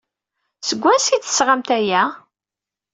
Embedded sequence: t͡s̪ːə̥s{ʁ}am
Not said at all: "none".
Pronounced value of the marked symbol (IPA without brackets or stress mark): ʁ